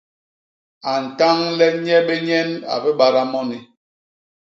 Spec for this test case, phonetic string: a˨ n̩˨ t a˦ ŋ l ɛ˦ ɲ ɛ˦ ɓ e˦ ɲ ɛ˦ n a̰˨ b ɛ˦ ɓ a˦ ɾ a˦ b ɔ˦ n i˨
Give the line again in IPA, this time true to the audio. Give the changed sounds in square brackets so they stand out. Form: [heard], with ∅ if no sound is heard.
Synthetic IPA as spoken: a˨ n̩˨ t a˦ ŋ l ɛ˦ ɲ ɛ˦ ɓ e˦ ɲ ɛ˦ n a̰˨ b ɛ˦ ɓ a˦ ɾ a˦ [m] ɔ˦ n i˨

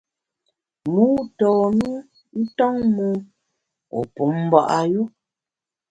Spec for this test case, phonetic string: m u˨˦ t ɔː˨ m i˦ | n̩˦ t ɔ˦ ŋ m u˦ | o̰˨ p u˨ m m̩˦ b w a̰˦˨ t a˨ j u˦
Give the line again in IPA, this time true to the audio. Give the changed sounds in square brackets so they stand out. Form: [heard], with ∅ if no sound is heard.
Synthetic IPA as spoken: m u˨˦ t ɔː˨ m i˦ | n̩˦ t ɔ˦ ŋ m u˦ | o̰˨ p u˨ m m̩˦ b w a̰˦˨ [ʔ] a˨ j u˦

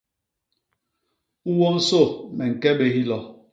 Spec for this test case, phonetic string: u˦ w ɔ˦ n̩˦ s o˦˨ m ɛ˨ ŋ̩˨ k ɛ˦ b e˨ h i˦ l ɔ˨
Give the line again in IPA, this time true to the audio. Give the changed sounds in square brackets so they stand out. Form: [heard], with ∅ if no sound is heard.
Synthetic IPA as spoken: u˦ w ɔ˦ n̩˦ s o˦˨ m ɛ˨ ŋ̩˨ k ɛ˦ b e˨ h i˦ l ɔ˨

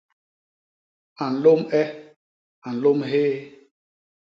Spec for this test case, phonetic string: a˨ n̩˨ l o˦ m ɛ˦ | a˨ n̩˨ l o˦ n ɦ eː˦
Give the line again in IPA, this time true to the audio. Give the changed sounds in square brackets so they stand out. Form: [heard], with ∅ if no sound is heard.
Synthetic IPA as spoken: a˨ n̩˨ l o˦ m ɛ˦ | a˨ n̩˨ l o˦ [m] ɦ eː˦

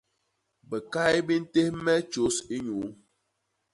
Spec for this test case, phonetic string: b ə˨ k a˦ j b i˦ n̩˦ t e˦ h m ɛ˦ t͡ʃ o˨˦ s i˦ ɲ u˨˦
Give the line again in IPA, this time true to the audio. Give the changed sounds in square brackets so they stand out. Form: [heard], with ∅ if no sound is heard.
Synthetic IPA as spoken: b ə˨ k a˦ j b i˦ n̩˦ t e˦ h m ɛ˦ t͡ʃ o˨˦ s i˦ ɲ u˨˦

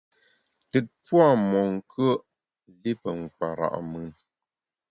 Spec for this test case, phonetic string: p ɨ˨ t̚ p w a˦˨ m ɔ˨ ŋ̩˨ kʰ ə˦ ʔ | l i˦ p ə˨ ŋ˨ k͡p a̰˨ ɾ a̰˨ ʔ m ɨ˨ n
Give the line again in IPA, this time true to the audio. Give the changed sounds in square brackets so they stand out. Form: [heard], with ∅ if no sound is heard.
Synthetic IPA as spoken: [t] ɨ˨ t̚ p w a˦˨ m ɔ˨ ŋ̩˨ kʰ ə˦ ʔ | l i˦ p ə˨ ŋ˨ k͡p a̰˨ ɾ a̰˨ ʔ m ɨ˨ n

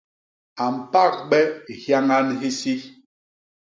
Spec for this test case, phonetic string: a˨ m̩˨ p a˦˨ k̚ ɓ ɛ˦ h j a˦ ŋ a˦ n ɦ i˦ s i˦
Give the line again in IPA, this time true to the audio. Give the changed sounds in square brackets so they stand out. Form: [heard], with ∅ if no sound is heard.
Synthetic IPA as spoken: a˨ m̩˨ p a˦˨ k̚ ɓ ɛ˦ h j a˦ ŋ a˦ n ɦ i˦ s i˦

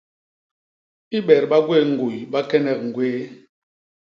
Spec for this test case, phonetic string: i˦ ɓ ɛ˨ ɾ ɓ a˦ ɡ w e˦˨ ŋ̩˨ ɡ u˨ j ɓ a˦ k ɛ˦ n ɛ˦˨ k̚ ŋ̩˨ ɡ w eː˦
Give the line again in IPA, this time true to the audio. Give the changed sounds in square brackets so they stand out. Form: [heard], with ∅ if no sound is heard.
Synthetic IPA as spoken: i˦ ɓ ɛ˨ ɾ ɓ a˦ ɡ w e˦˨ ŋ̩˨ ɡ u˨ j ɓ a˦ k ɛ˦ n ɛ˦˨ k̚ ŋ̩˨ ɡ w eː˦

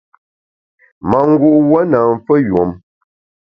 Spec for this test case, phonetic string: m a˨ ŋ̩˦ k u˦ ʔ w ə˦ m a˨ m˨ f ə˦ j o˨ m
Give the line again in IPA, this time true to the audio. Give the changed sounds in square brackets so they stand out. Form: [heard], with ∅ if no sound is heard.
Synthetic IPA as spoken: m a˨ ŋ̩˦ [ɡ] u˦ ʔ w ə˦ [n] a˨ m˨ f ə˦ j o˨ m

